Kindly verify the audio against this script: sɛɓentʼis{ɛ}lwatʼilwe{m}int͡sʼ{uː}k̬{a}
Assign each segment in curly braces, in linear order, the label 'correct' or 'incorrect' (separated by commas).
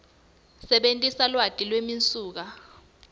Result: incorrect, correct, correct, correct